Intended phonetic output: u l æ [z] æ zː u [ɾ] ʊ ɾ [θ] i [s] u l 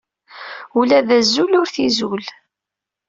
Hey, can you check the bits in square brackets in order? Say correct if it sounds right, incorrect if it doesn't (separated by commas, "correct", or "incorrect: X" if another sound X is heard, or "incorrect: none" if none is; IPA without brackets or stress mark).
incorrect: ð, incorrect: l, correct, incorrect: z